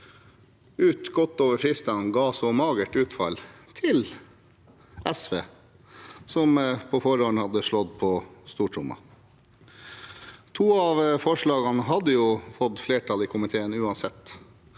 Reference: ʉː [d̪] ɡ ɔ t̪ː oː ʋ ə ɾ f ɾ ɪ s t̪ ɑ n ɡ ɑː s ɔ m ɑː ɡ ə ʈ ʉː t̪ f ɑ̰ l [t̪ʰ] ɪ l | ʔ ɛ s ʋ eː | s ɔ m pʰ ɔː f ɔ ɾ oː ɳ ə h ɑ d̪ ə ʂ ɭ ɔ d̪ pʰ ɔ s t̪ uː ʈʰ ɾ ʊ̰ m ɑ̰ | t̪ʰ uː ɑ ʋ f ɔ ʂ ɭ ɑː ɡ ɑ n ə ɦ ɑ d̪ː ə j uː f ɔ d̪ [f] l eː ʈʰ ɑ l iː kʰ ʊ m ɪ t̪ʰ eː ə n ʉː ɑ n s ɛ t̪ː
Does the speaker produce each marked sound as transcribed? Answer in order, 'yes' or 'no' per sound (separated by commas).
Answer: no, yes, yes